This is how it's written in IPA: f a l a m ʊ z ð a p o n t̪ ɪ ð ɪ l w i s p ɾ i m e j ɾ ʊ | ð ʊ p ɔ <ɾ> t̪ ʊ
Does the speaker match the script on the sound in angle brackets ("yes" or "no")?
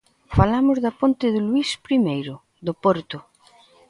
yes